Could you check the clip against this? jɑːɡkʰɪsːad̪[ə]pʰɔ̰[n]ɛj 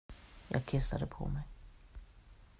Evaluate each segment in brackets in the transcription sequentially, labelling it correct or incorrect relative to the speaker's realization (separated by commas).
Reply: correct, incorrect